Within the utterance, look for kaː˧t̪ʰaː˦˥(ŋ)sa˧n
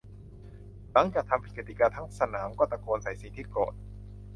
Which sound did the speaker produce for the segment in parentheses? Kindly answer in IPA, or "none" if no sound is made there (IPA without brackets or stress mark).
ŋ